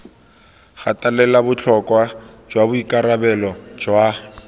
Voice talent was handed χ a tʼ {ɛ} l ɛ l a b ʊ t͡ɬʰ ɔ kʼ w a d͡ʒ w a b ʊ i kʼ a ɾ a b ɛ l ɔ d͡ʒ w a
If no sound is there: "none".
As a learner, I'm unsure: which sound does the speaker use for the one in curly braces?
a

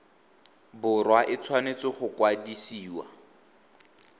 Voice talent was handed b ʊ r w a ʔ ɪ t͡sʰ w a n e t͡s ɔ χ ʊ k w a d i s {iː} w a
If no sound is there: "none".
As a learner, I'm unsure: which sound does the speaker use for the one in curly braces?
iː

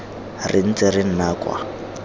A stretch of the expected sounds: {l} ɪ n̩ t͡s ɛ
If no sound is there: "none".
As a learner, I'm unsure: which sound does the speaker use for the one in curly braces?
r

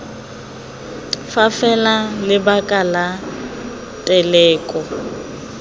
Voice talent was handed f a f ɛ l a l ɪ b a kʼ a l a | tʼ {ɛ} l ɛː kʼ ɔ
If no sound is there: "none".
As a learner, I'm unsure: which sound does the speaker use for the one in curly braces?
ɛ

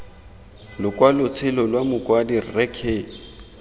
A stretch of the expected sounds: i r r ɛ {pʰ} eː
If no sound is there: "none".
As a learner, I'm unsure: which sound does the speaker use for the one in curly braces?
kʰ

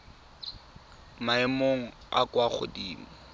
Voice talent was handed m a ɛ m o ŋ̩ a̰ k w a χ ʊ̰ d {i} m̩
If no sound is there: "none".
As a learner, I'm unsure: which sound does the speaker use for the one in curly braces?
iː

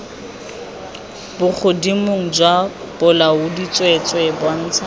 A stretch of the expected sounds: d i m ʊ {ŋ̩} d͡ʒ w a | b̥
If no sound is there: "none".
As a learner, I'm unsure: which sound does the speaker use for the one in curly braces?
ŋ̩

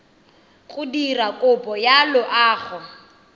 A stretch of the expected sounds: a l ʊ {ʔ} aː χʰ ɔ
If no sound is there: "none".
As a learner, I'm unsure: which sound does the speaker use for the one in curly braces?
ʔ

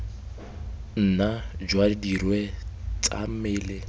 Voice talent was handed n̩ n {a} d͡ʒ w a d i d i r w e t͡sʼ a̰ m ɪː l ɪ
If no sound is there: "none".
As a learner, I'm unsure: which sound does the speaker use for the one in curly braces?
a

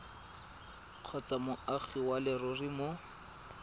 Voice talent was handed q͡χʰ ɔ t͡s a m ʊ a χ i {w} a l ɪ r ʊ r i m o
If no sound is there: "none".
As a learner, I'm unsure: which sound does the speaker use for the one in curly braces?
w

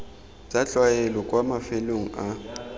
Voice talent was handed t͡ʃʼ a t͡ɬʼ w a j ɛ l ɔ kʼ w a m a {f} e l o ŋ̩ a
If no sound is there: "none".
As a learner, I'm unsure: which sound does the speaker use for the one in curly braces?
f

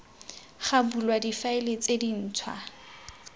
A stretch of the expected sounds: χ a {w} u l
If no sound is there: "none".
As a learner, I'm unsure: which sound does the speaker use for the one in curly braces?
b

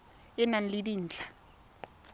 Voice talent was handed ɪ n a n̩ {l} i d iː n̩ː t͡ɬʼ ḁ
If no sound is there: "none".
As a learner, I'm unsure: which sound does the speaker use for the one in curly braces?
l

